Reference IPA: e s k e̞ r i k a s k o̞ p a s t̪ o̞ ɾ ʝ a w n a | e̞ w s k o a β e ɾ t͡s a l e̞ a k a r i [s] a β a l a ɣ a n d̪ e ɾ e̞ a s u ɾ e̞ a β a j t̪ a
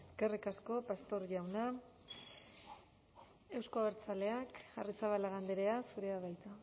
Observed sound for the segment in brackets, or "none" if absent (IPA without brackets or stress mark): t͡s